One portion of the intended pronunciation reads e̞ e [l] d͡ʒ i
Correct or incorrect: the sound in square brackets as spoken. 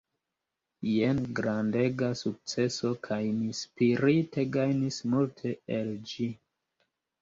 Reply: correct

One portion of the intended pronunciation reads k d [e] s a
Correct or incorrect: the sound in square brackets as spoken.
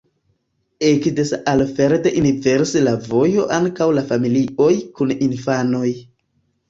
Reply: correct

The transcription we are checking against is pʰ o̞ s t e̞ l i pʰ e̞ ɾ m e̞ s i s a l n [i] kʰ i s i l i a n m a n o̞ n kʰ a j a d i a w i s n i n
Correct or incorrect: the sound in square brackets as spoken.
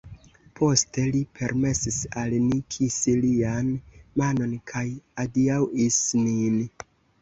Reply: correct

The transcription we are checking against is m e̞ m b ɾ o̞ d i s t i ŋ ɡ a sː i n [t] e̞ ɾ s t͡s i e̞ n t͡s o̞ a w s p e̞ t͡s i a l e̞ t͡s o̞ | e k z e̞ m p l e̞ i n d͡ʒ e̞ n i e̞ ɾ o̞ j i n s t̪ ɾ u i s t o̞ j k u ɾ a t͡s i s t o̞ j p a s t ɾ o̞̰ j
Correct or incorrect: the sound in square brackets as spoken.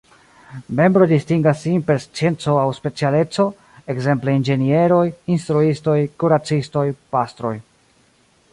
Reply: incorrect: p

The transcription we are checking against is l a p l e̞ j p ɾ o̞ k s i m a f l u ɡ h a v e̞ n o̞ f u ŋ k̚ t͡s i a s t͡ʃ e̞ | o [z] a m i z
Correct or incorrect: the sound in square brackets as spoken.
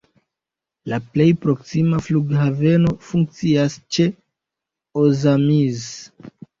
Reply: correct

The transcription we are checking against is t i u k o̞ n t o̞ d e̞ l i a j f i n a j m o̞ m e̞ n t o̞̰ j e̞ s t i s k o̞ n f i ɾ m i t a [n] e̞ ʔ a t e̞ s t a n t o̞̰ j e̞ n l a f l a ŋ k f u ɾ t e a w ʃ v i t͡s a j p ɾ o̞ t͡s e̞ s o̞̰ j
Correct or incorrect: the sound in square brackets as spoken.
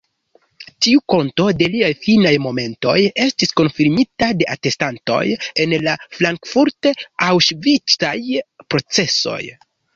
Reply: incorrect: d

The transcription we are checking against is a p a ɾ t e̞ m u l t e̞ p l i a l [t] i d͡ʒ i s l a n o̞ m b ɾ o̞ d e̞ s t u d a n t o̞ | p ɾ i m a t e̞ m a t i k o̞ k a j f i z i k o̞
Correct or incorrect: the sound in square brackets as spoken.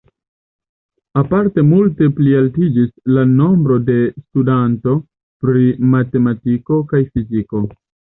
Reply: correct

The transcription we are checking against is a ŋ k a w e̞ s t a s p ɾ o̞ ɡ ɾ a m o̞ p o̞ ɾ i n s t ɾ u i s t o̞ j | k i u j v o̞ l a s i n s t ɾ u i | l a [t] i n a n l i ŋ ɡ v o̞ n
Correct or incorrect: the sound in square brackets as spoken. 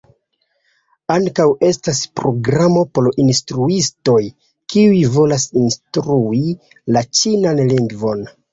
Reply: incorrect: t͡ʃ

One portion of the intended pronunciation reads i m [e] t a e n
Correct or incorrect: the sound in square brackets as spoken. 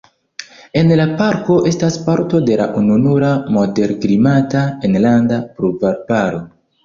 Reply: incorrect: a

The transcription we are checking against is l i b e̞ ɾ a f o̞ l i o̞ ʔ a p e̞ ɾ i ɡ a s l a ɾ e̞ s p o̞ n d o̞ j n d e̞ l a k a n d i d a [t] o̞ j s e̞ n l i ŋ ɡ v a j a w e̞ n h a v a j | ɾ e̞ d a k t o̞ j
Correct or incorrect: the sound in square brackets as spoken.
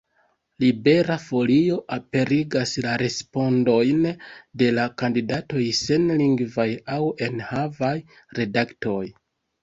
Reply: correct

